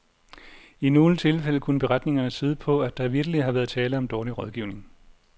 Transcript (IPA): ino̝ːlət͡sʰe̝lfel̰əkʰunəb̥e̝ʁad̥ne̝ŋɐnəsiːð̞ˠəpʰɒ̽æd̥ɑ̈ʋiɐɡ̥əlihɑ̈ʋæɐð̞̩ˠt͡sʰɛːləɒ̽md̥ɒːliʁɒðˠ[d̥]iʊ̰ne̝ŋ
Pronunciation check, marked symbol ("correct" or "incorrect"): incorrect